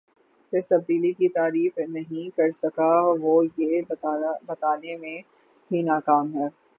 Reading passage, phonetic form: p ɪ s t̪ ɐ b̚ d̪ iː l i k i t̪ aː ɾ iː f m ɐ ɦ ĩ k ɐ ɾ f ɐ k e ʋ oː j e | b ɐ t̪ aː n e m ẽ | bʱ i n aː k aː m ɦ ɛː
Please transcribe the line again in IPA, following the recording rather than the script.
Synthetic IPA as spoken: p ɪ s t̪ ɐ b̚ d̪ iː l i k i t̪ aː ɾ iː f n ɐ ɦ ĩ k ɐ ɾ s ɐ k a ʋ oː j e | b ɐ t̪ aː n e m ẽ | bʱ i n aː k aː m ɦ ɛː